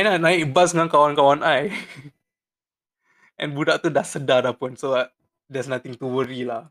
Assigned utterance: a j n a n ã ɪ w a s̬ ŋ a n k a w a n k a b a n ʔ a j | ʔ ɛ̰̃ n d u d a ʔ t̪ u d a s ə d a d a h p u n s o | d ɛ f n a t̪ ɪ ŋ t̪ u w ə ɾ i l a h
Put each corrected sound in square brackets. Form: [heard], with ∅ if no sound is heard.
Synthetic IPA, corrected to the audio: a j n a n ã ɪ [b] a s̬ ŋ a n k a w a n k a [w] a n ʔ a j | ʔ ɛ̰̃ n [b] u d a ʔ t̪ u d a s ə d a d a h p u n s o | d ɛ [s] n a t̪ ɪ ŋ t̪ u w ə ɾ i l a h